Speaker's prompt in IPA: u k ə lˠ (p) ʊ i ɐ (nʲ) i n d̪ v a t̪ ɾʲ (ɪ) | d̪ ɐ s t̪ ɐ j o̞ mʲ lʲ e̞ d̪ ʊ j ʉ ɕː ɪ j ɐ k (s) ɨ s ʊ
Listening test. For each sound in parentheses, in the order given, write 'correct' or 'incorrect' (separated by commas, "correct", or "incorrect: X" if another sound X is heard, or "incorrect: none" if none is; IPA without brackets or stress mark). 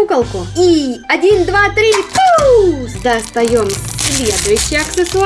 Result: incorrect: k, incorrect: dʲ, incorrect: i, correct